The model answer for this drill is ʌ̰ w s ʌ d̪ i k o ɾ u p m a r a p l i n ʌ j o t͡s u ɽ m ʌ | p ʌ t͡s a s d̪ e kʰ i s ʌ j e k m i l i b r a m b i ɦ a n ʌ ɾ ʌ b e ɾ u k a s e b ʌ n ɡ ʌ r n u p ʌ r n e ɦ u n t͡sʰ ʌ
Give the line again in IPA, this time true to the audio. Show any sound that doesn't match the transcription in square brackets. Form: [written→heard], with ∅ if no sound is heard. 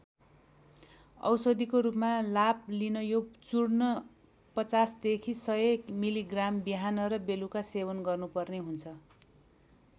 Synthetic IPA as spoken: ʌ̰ w s ʌ d̪ i k o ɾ u p m a [r→l] a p l i n ʌ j o t͡s u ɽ [m→n] ʌ | p ʌ t͡s a s d̪ e kʰ i s ʌ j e k m i l i [b→ɡ] r a m b i ɦ a n ʌ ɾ ʌ b e [ɾ→l] u k a s e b ʌ n ɡ ʌ r n u p ʌ r n e ɦ u n t͡sʰ ʌ